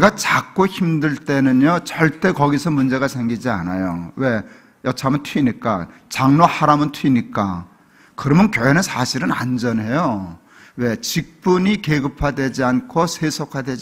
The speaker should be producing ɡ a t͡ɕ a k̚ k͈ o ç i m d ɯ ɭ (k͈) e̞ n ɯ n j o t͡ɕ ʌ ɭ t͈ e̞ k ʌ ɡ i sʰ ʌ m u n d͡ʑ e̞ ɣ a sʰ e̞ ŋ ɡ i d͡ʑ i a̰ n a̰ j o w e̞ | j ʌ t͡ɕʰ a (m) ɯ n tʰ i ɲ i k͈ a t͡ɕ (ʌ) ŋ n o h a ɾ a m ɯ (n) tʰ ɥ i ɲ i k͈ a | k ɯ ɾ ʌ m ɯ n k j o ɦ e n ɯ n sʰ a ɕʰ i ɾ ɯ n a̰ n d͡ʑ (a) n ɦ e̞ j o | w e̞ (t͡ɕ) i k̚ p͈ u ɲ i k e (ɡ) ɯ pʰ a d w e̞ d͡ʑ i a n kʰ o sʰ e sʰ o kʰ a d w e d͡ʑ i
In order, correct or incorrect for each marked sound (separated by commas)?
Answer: incorrect, correct, incorrect, correct, incorrect, correct, correct